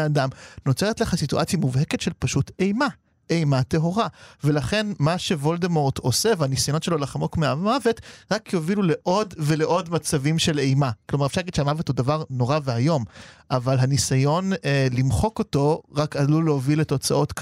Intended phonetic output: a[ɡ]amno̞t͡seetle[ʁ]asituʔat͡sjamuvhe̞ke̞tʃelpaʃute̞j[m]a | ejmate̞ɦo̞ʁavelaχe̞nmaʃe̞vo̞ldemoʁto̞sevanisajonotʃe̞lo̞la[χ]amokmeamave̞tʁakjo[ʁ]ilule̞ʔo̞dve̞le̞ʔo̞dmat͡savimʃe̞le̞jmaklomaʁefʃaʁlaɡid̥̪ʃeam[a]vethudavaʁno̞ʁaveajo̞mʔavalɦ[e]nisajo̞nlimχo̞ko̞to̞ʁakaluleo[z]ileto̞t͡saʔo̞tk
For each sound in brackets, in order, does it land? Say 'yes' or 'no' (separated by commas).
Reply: no, no, yes, yes, no, yes, no, no